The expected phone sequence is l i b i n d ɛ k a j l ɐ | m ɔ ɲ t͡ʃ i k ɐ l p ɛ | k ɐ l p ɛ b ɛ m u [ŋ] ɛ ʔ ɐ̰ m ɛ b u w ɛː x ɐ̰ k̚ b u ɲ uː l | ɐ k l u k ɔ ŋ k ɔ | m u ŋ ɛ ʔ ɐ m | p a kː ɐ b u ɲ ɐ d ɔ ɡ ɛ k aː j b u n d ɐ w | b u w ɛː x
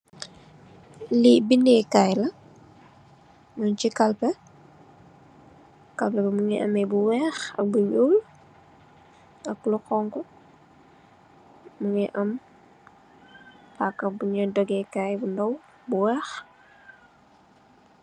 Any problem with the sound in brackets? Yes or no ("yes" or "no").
no